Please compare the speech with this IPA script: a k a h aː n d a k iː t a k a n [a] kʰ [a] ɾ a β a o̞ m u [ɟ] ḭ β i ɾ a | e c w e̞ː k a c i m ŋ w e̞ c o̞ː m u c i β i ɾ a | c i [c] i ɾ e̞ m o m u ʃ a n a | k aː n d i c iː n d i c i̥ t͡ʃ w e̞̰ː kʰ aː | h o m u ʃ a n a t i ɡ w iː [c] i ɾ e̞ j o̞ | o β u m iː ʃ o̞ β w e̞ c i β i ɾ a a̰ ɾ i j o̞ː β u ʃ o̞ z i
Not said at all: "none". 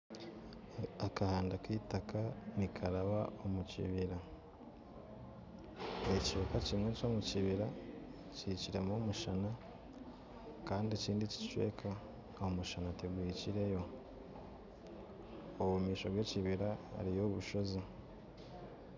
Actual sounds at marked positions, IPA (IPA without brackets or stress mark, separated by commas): i, a, c, c, c